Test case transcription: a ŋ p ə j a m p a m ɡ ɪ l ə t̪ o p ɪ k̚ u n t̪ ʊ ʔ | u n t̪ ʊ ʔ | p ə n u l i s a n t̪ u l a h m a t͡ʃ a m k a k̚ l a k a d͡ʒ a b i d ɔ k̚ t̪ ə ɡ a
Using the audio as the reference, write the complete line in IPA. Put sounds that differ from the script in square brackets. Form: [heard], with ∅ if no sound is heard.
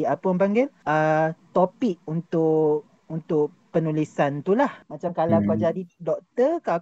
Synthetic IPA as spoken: a [∅] p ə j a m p a [ŋ] ɡ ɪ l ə t̪ o p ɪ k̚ u n t̪ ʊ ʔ | u n t̪ ʊ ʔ | p ə n u l i s a n t̪ u l a h m a t͡ʃ a m k a [∅] l a k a d͡ʒ a [d] i d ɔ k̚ t̪ ə [k] a